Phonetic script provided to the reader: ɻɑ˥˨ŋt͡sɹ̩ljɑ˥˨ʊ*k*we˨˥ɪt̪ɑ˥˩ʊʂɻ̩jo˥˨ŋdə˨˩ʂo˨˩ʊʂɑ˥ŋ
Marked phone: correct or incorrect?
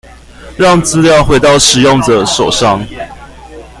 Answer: incorrect